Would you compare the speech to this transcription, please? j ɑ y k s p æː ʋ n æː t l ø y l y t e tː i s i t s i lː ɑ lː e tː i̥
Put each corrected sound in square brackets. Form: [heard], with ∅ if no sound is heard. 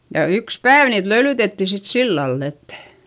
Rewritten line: j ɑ y k s p æː ʋ n [iː] t l ø y l y t e tː i s i t s i lː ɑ lː e tː [æ̥]